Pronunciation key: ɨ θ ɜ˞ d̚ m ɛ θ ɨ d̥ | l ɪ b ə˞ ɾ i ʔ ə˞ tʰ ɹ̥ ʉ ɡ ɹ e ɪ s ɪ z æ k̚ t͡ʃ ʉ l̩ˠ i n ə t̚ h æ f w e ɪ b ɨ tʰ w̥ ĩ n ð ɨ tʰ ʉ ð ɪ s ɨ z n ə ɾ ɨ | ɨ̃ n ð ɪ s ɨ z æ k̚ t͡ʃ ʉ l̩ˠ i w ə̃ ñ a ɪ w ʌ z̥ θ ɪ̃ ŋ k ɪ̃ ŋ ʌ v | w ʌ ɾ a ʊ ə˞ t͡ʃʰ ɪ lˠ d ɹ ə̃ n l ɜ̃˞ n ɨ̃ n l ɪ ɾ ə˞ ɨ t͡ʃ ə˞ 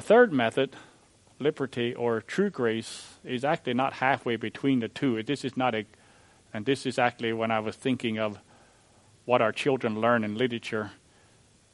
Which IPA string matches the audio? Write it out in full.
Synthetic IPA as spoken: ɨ θ ɜ˞ d̚ m ɛ θ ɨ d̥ | l ɪ b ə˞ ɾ i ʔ ə˞ tʰ ɹ̥ ʉ ɡ ɹ e ɪ s ɪ z æ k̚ t͡ʃ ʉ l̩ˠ i n ə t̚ h æ f w e ɪ b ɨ tʰ w̥ ĩ n ð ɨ tʰ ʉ ð ɪ s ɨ z n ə ɾ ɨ | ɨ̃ n ð ɪ s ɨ z æ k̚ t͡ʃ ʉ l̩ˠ i w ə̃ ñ a ɪ w ʌ z̥ θ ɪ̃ ŋ k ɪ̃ ŋ ʌ v | w ʌ ɾ a ʊ ə˞ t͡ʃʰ ɪ lˠ d ɹ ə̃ n l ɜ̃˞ n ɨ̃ n l ɪ ɾ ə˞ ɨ t͡ʃ ə˞